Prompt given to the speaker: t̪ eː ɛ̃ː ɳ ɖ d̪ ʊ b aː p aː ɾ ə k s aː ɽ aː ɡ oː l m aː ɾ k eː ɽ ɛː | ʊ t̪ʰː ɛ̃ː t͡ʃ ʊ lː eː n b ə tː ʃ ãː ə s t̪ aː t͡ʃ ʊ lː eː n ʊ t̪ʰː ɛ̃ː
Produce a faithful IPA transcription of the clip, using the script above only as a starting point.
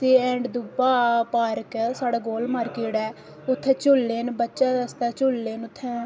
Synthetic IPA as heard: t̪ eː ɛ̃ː ɳ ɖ d̪ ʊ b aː p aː ɾ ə k s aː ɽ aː ɡ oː l m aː ɾ k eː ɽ ɛː | ʊ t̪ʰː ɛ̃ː t͡ʃ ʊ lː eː n b ə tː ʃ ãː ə s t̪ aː t͡ʃ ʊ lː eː n ʊ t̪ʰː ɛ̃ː